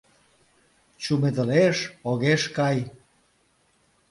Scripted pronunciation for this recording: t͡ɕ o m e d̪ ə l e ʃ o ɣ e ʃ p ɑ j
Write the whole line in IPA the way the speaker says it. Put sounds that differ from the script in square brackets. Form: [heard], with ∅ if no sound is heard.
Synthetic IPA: t͡ɕ [u] m e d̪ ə l e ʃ o ɣ e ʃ [k] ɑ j

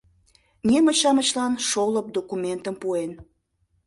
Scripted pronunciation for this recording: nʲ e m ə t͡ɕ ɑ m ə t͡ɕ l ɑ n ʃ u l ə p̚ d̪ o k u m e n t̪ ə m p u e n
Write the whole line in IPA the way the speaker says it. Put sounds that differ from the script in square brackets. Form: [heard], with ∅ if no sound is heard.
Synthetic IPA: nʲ e m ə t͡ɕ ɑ m ə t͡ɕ l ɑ n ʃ [o] l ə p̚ d̪ o k u m e n t̪ ə m p u e n

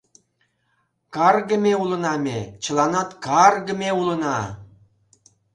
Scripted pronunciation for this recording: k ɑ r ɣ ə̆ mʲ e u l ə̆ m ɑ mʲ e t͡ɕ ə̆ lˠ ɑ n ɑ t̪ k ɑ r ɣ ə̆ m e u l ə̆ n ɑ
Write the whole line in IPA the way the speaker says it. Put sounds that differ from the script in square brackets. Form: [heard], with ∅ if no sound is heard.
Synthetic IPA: k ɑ r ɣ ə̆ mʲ e u l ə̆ [n] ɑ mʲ e t͡ɕ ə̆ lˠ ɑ n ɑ t̪ k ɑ r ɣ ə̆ m e u l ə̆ n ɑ

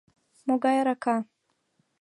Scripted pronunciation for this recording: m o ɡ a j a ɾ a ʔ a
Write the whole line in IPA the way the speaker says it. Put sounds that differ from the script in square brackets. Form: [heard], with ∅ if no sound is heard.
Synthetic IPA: m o ɡ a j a ɾ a [k] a

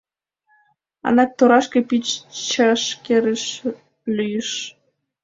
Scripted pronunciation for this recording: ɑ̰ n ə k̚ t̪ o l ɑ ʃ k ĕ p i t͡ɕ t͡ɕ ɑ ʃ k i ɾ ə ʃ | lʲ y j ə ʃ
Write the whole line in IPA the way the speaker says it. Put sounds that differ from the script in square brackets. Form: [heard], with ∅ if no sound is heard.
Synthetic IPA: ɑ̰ n [ɑ] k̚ t̪ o [ɾ] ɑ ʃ k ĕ p i t͡ɕ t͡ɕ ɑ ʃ k [e] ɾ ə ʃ | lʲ y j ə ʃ

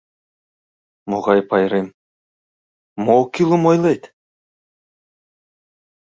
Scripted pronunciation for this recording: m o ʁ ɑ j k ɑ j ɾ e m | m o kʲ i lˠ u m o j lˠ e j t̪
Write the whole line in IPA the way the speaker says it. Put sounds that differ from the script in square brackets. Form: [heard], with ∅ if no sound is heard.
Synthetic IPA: m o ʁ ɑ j [p] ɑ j ɾ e m | m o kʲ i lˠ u m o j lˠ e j t̪

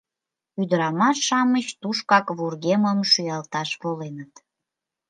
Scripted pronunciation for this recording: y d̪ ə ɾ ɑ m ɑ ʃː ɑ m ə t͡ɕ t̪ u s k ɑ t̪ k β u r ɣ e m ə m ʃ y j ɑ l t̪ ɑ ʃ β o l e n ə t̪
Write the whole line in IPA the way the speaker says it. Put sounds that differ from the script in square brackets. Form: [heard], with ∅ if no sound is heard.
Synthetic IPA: y d̪ ə ɾ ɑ m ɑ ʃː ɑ m ə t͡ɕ t̪ u [ʃ] k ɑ [∅] k β u r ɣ e m ə m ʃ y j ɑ l t̪ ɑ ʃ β o l e n ə t̪

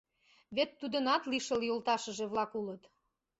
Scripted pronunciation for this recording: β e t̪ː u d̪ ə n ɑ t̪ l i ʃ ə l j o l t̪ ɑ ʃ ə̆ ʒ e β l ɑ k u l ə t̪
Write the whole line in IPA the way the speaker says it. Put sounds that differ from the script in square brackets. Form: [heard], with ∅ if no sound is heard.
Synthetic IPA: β e t̪ː u d̪ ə n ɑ t̪ l i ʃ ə l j o l t̪ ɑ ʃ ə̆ ʒ e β l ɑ k u l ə t̪

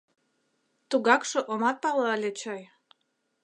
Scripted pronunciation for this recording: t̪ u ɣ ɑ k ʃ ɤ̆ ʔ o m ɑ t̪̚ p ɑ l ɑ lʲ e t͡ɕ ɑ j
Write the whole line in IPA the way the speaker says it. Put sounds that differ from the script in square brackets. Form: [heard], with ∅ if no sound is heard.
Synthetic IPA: t̪ u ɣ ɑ k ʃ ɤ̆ ʔ o m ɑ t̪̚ p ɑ l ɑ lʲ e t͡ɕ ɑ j

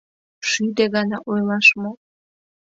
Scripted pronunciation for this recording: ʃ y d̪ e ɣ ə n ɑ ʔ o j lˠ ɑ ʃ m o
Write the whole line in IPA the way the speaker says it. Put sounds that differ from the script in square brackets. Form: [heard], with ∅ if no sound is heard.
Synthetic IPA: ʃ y d̪ e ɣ [ɑ] n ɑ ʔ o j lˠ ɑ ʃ m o

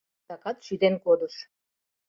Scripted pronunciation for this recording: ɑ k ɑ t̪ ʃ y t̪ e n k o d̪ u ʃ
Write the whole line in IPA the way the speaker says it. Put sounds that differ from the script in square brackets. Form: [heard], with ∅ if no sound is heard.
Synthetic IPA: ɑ k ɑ t̪ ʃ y [d̪] e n k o d̪ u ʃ

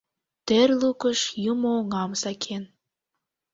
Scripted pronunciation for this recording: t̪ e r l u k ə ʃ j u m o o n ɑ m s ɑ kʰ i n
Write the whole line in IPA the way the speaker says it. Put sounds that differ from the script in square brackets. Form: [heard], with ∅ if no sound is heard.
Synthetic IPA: t̪ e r l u k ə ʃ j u m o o [ŋ] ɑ m s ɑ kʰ [e] n

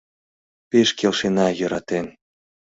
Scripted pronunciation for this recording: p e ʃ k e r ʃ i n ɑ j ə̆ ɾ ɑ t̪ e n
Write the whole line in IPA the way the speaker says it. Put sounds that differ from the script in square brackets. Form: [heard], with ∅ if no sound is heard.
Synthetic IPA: p e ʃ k e [l] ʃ [e] n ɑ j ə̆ ɾ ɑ t̪ e n

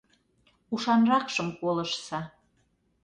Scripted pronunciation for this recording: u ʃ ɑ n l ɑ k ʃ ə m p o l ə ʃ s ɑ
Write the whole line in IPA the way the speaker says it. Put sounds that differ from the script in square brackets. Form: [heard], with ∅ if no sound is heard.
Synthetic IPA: u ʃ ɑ n [r] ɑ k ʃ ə m [k] o l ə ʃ s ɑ

